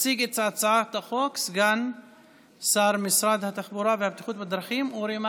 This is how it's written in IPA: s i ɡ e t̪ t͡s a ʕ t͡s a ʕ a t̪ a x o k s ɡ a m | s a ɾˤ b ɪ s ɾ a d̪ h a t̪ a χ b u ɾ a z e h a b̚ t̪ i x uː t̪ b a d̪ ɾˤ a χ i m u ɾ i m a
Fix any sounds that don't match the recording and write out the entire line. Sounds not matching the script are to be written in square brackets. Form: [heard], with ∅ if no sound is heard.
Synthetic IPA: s i ɡ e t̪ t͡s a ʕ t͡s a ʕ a t̪ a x o k s ɡ a [n] | s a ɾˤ [m] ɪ s ɾ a d̪ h a t̪ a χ b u ɾ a [v] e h a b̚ t̪ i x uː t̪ b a d̪ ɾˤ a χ i m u ɾ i m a